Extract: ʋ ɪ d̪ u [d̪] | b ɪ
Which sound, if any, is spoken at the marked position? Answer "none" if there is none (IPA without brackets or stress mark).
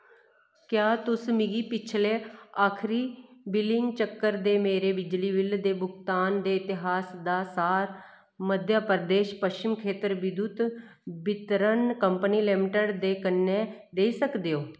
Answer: t̪